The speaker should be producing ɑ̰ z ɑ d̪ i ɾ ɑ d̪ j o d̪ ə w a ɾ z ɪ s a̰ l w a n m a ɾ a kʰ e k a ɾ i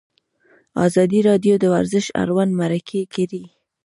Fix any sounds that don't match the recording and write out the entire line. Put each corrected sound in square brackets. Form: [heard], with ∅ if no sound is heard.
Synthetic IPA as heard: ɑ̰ z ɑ d̪ i ɾ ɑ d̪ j o d̪ ə w a ɾ z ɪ [ʃ] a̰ [ɾ] w a n m a ɾ a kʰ e k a ɾ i